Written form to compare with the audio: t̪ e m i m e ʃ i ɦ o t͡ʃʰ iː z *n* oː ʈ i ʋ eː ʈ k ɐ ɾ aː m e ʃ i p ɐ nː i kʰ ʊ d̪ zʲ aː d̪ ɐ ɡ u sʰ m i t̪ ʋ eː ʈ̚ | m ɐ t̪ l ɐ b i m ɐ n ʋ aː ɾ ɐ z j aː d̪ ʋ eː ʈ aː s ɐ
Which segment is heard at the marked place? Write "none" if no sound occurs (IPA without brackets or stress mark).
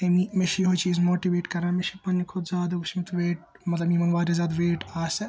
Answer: m